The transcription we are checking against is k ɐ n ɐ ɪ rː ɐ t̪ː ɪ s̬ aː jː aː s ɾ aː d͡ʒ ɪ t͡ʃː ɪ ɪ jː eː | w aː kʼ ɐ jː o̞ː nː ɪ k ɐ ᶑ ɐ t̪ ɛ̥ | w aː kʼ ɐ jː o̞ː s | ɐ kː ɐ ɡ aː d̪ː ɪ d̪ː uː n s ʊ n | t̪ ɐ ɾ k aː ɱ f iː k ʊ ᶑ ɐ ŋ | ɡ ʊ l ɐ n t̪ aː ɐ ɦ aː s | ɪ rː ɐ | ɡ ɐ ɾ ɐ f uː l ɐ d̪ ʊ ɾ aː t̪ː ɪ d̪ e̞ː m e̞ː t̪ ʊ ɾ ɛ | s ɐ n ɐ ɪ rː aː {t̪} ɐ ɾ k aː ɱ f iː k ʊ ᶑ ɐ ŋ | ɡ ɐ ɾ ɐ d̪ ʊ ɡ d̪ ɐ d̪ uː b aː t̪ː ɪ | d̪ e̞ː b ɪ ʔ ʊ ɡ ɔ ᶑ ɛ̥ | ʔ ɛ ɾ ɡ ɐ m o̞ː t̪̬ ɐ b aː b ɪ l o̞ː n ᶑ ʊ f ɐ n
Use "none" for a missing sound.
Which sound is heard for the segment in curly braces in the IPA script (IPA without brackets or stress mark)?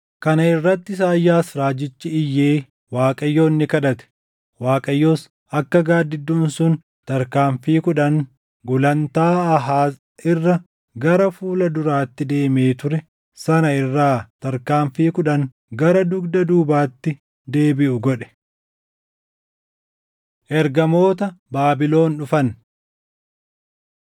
t̪